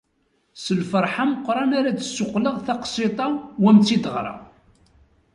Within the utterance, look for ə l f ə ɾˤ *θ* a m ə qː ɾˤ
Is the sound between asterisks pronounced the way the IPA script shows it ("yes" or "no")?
no